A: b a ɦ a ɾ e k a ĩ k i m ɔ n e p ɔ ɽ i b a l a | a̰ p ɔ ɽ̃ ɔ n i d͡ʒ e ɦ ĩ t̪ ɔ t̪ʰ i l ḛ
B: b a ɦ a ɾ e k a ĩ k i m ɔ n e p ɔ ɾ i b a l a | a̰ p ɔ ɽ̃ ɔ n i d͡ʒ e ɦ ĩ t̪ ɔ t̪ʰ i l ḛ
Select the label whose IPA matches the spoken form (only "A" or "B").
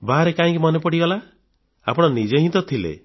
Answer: A